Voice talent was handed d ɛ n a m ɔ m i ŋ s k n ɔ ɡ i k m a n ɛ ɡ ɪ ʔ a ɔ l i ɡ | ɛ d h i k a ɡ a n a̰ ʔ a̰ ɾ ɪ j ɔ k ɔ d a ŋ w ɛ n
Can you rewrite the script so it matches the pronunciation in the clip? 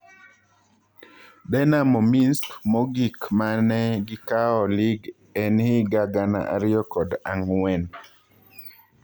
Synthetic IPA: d ɛ n a m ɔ m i n s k m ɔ ɡ i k m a n ɛ ɡ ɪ k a ɔ l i ɡ | ɛ n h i ɡ a ɡ a n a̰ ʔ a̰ ɾ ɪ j ɔ k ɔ d a ŋ w ɛ n